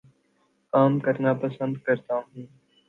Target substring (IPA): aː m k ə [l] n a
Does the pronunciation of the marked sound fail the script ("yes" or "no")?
yes